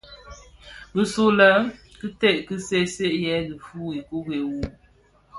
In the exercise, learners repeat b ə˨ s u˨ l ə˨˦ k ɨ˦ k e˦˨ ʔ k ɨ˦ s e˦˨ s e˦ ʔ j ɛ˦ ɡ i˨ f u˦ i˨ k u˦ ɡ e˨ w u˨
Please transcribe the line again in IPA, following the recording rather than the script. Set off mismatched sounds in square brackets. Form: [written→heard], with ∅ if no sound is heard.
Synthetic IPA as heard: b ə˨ s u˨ l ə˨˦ k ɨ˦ [k→t] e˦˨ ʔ k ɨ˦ s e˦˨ s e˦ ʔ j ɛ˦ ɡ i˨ f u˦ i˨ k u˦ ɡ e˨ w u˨